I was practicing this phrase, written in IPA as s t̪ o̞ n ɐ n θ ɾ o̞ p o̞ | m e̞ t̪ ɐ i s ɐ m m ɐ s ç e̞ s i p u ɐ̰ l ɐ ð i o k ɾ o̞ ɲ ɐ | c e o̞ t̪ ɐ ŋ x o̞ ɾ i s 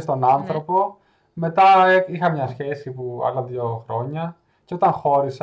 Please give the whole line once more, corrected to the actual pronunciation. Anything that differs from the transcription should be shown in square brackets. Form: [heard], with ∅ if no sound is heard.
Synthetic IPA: s t̪ o̞ n ɐ n θ ɾ o̞ p o̞ | m e̞ t̪ ɐ i [x] ɐ m [ɲ] ɐ s ç e̞ s i p u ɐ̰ l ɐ ð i o [x] ɾ o̞ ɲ ɐ | c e o̞ t̪ ɐ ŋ x o̞ ɾ i s